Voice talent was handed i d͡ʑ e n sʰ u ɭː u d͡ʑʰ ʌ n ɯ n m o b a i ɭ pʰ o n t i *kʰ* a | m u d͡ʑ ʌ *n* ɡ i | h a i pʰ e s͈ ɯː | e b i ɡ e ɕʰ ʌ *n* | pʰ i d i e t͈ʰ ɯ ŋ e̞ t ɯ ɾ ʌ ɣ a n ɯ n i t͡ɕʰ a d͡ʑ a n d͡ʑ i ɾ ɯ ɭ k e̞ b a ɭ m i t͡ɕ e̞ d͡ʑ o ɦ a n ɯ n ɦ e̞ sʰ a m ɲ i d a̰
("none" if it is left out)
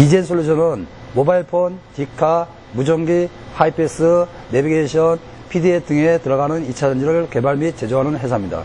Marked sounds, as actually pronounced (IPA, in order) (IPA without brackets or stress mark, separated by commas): kʰ, ŋ, n